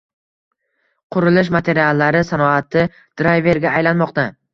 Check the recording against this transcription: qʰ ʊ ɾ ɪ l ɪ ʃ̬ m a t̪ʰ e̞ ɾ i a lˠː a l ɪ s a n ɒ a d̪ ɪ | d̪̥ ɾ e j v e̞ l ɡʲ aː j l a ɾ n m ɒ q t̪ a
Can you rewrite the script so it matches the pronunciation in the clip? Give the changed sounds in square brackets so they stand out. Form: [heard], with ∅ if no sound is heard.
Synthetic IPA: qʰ ʊ ɾ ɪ l ɪ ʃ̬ m a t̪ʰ e̞ ɾ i a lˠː a [ɾ] ɪ s a n ɒ a [t̪] ɪ | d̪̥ ɾ [a] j v e̞ [ɾ] ɡʲ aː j l a [∅] n m ɒ q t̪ a